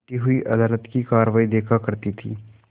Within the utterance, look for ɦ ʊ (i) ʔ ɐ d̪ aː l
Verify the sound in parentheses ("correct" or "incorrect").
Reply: correct